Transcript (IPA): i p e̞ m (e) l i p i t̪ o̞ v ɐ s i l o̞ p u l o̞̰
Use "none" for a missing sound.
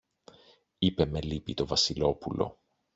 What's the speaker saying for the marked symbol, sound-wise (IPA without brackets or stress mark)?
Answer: e